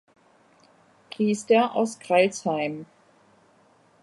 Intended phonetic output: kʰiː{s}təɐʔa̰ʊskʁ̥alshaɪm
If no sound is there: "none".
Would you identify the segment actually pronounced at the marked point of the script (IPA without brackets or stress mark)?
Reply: s